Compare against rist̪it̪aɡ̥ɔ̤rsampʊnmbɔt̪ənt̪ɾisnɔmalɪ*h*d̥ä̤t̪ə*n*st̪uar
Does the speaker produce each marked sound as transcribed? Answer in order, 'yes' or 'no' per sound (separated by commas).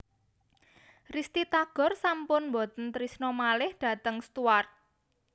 yes, no